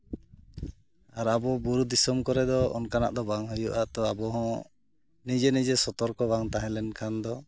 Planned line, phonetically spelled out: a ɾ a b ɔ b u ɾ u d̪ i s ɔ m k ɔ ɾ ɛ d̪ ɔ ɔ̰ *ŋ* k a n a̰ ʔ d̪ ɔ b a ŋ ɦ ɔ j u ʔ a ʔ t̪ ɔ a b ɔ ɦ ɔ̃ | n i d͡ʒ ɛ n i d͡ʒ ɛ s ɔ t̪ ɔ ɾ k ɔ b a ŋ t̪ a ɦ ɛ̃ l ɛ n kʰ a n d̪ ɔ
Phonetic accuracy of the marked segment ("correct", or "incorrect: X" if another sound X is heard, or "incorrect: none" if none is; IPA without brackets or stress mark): incorrect: n